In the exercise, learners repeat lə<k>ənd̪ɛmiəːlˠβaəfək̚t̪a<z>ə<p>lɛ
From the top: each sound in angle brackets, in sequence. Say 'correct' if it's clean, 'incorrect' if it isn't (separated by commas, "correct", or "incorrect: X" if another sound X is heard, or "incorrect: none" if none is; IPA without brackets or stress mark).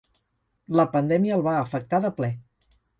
incorrect: p, incorrect: ð, correct